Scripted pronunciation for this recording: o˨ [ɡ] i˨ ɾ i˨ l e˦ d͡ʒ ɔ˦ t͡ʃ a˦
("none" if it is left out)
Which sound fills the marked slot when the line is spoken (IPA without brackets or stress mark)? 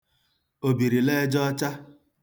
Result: b